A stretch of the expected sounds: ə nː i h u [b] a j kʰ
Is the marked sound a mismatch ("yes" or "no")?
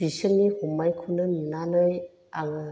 yes